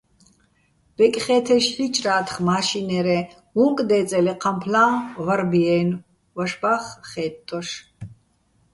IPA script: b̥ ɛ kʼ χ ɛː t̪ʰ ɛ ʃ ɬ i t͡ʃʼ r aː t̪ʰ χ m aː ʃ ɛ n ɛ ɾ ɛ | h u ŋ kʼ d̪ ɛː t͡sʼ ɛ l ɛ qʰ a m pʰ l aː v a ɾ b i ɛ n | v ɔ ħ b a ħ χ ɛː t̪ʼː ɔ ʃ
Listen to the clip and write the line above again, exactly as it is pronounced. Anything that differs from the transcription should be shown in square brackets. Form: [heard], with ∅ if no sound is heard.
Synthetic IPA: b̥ ɛ kʼ χ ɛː t̪ʰ ɛ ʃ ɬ i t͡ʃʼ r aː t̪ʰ χ m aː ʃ [i] n ɛ ɾ ɛ | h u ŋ kʼ d̪ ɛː t͡sʼ ɛ l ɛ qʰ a m pʰ l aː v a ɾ b i ɛ n | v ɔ [ʃ] b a [χ] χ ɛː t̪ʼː ɔ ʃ